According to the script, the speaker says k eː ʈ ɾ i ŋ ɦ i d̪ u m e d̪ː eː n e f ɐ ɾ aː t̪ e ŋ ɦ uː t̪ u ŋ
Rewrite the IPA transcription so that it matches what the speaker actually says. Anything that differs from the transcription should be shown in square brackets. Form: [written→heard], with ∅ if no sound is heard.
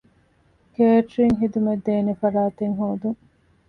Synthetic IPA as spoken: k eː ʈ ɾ i ŋ ɦ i d̪ u m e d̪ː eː n e f ɐ ɾ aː t̪ e ŋ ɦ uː [t̪→d̪] u ŋ